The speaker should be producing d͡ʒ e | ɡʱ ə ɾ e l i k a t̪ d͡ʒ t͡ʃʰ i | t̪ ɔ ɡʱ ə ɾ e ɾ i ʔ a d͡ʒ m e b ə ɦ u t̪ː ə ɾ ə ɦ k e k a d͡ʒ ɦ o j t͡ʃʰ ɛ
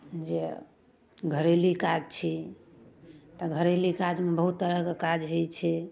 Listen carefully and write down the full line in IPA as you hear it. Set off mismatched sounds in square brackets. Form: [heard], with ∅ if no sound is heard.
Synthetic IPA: d͡ʒ e | ɡʱ ə ɾ e l i k a [∅] d͡ʒ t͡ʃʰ i | t̪ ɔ ɡʱ ə ɾ e [l] i [k] a d͡ʒ m e b ə ɦ u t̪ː ə ɾ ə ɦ k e k a d͡ʒ ɦ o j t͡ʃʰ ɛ